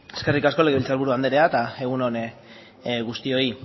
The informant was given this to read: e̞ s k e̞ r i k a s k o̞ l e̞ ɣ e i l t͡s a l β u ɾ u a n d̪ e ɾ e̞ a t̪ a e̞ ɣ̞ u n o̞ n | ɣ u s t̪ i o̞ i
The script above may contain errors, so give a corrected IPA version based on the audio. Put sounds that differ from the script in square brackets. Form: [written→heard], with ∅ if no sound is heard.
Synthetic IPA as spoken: e̞ s k e̞ r i k a s k o̞ l e̞ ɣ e i l t͡s a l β u ɾ u a n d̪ e ɾ e̞ a t̪ a e̞ ɣ̞ u n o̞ n | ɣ u s t̪ i o̞ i